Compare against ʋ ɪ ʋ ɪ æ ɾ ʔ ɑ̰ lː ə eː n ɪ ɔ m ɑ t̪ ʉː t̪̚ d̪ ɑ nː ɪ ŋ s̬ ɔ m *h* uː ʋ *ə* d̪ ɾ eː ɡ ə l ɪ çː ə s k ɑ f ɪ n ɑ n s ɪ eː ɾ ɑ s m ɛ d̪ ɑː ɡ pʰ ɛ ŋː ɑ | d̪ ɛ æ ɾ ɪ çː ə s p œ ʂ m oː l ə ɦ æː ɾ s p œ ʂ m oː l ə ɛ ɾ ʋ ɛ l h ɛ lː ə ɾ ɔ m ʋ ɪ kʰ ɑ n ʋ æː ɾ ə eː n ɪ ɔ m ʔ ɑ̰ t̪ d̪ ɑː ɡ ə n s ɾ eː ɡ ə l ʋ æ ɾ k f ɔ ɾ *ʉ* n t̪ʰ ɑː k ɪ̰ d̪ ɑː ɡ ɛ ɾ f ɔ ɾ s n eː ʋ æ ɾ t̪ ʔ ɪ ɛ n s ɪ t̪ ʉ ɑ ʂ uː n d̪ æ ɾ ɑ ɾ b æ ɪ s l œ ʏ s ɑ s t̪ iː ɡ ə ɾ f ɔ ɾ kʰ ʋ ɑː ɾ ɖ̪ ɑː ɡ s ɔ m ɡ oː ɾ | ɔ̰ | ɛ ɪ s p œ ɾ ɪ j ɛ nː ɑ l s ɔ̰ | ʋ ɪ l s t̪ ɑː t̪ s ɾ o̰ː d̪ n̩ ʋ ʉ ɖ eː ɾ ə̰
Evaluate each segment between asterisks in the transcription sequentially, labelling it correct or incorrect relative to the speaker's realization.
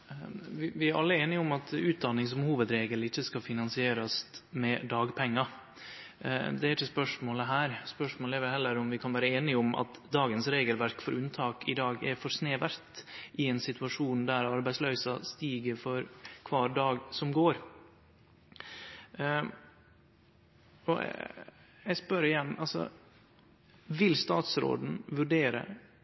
correct, correct, correct

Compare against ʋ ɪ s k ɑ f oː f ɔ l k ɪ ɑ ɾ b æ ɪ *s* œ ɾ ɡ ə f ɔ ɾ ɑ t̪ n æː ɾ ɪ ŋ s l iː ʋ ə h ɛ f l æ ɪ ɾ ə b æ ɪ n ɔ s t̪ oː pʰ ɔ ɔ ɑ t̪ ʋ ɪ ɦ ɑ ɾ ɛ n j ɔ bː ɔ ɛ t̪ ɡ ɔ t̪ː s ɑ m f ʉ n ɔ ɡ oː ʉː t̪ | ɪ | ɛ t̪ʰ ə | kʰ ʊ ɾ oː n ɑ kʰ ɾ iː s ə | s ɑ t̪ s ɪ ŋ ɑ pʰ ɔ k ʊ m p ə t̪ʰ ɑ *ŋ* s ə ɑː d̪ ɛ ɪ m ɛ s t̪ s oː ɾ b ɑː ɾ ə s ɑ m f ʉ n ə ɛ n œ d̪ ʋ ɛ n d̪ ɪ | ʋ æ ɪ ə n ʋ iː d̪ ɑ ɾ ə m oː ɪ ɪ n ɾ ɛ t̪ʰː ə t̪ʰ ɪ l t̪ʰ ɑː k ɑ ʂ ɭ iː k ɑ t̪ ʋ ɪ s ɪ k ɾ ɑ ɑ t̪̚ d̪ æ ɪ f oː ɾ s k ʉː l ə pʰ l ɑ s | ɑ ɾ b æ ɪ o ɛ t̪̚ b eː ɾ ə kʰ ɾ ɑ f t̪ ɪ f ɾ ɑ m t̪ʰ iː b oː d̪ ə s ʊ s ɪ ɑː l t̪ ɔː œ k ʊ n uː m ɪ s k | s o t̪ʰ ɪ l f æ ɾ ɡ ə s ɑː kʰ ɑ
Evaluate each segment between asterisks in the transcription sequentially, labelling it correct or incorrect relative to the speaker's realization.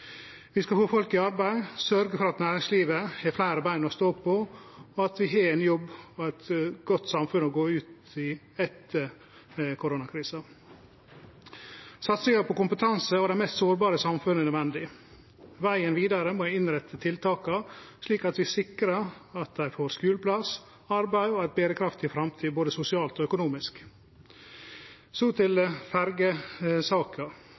correct, incorrect: n

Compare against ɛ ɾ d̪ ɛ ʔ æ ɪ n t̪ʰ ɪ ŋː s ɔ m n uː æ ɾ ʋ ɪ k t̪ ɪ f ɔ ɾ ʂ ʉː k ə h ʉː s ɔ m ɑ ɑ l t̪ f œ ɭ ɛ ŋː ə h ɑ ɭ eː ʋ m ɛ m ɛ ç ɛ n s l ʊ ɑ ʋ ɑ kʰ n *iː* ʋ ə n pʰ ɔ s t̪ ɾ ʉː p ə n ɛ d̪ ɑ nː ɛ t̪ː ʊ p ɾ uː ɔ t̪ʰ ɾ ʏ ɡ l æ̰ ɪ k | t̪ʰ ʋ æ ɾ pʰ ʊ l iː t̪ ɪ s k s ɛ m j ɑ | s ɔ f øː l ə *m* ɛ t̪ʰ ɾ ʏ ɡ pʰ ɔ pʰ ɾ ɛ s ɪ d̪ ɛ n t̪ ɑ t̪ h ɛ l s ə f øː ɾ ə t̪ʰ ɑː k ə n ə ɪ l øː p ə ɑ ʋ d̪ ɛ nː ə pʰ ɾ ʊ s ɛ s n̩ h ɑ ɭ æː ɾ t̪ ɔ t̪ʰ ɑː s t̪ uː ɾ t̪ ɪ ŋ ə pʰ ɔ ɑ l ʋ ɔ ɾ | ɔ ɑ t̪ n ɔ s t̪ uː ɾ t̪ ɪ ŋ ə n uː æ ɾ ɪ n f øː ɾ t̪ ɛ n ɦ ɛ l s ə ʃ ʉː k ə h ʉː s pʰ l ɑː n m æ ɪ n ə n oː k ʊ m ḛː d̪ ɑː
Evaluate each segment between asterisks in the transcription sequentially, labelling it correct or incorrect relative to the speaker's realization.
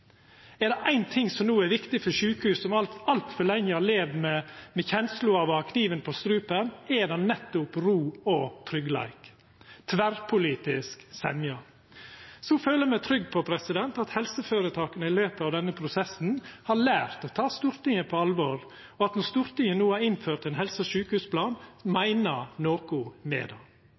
correct, correct

